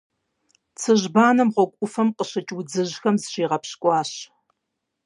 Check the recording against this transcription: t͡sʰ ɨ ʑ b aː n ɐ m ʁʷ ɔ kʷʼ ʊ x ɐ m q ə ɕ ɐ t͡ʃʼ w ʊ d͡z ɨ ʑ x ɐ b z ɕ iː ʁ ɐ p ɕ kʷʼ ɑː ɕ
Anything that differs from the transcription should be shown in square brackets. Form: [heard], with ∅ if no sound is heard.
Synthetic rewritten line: t͡sʰ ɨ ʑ b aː n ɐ m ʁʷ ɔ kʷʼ ʊ [f] ɐ m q ə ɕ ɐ t͡ʃʼ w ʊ d͡z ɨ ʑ x ɐ [m] z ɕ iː ʁ ɐ p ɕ kʷʼ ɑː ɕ